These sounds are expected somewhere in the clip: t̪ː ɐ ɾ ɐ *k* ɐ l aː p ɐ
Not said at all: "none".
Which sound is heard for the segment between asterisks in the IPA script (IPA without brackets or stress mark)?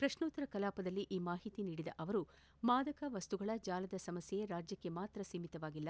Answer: k